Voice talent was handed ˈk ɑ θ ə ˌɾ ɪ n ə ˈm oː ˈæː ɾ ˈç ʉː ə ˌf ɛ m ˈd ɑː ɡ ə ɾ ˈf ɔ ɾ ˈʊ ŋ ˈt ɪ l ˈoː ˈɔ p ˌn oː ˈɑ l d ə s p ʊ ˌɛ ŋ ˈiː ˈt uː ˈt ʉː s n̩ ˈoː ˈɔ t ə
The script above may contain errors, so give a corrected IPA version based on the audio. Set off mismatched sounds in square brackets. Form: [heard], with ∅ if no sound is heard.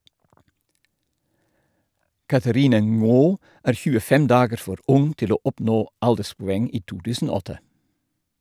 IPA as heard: ˈk ɑ θ ə ˌɾ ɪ n ə [ˈŋ] oː ˈæː ɾ ˈç ʉː ə ˌf ɛ m ˈd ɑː ɡ ə ɾ ˈf ɔ ɾ ˈʊ ŋ ˈt ɪ l ˈoː ˈɔ p ˌn oː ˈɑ l d ə s p ʊ ˌɛ ŋ ˈiː ˈt uː ˈt ʉː s n̩ ˈoː ˈɔ t ə